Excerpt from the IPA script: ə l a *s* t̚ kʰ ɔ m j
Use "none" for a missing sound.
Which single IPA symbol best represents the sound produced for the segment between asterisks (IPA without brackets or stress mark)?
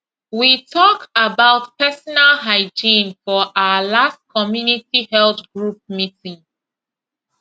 s